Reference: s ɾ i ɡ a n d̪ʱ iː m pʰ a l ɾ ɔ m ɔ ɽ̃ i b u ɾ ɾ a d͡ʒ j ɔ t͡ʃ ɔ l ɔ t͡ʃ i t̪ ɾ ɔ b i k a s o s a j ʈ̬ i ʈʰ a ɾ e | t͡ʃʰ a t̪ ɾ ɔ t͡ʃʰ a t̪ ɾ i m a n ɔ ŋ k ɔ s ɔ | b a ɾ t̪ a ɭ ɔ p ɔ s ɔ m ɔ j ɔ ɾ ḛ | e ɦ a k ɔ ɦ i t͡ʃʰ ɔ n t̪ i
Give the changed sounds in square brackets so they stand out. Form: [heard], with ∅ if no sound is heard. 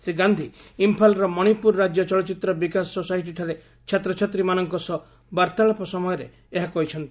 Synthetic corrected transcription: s ɾ i ɡ a n d̪ʱ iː m pʰ a l ɾ ɔ m ɔ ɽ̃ i [p] u ɾ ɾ a d͡ʒ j ɔ t͡ʃ ɔ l ɔ t͡ʃ i t̪ ɾ ɔ b i k a s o s a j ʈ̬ i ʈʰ a ɾ e | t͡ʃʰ a t̪ ɾ ɔ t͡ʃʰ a t̪ ɾ i m a n ɔ ŋ k ɔ s ɔ | b a ɾ t̪ a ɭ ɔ p ɔ s ɔ m ɔ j ɔ ɾ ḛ | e ɦ a k ɔ ɦ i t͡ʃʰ ɔ n t̪ i